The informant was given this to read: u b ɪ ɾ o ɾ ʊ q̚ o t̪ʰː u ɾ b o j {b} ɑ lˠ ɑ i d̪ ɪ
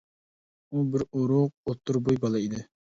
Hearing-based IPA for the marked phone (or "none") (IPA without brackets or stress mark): b